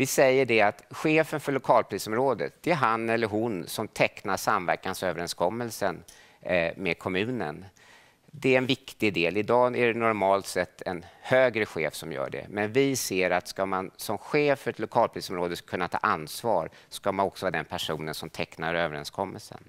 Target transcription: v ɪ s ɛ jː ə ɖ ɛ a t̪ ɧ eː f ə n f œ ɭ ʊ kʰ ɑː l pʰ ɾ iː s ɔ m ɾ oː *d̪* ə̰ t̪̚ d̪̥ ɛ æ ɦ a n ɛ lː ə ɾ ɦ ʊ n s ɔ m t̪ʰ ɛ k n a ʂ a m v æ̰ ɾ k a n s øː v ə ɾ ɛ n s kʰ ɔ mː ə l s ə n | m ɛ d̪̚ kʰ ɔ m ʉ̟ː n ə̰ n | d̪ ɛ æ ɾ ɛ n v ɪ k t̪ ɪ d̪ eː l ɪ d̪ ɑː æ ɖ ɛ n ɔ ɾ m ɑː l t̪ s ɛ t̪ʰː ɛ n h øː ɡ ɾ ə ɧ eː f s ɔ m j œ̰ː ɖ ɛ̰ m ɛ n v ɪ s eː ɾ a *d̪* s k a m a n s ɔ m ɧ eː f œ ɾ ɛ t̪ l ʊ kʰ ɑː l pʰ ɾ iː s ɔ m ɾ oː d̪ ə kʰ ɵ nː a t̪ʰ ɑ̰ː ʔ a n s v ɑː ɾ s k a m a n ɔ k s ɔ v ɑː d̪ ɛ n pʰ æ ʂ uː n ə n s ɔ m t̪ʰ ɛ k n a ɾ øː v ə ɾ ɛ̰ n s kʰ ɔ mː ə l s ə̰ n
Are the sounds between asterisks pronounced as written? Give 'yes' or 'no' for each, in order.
yes, no

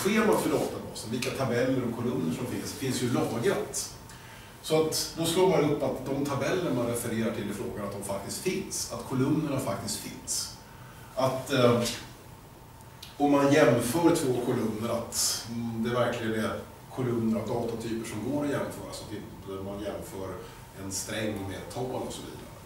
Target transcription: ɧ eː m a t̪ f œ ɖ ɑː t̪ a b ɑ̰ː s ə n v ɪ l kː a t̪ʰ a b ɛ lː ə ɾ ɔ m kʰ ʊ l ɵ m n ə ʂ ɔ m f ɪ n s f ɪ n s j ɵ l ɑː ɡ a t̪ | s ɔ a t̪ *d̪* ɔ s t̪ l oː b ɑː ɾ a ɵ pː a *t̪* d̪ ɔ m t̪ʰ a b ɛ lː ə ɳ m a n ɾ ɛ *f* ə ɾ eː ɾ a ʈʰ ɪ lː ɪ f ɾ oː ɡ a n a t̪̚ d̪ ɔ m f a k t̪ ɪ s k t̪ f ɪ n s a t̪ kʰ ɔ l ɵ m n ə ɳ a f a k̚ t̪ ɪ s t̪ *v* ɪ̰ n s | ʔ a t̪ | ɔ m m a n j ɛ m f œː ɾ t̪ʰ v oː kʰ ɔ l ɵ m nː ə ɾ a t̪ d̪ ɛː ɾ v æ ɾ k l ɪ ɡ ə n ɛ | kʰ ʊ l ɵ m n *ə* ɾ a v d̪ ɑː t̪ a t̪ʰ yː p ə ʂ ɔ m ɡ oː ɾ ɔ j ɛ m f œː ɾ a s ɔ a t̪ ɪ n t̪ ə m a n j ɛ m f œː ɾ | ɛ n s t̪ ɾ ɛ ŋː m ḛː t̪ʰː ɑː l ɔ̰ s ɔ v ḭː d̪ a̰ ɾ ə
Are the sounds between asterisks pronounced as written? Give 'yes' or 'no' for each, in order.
yes, yes, yes, no, yes

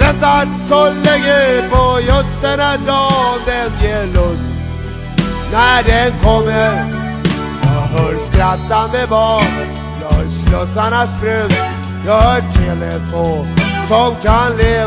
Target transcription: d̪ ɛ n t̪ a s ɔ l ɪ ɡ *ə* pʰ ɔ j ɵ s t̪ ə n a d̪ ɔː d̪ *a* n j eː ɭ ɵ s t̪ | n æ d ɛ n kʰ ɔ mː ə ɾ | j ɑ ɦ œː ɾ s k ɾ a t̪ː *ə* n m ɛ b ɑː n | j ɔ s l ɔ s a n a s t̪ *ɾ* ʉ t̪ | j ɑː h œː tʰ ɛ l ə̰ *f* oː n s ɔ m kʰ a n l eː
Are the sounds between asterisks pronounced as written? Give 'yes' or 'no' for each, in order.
yes, no, no, yes, yes

